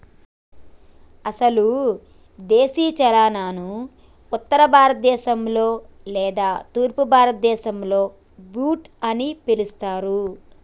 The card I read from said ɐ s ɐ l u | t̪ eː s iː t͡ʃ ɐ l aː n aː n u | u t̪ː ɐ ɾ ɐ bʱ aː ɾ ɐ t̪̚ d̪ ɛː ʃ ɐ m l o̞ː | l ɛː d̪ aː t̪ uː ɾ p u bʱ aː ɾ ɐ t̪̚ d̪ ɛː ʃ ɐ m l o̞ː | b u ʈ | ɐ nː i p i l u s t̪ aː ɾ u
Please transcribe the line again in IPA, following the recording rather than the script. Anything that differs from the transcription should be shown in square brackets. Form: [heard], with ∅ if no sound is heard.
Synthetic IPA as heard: ɐ s ɐ l u | [d̪] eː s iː t͡ʃ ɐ l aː n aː n u | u t̪ː ɐ ɾ ɐ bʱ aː ɾ ɐ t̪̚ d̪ ɛː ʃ ɐ m l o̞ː | l ɛː d̪ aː t̪ uː ɾ p u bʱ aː ɾ ɐ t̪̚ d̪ ɛː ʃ ɐ m l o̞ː | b [uː] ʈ | ɐ [n] i p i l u s t̪ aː ɾ u